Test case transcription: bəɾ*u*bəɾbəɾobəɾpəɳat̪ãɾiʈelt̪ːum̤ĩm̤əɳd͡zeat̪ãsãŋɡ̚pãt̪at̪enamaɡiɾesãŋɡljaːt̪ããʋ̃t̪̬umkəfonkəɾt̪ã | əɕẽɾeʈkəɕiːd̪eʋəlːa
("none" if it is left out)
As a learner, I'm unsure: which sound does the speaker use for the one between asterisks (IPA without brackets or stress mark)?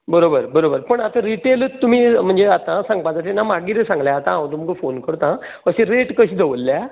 o